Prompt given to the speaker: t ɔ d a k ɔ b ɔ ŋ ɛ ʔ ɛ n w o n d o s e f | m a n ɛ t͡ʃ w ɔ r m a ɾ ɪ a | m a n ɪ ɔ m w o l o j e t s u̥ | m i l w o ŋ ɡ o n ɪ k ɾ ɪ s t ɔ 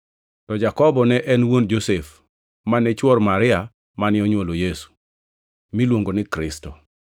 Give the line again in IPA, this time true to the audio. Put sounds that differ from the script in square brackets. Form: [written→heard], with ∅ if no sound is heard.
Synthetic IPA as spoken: t ɔ [d→d͡ʒ] a k ɔ b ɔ [ŋ→n] ɛ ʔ ɛ n w o n [d→d͡ʒ] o s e f | m a n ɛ t͡ʃ w ɔ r m a ɾ ɪ a | m a n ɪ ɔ [m→ɲ] w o l o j e [t→∅] s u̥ | m i l w o ŋ ɡ o n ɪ k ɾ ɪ s t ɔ